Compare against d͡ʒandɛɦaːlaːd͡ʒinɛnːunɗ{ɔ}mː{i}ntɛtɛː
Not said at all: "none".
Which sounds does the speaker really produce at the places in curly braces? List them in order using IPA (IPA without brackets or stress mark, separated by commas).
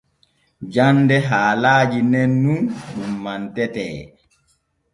u, a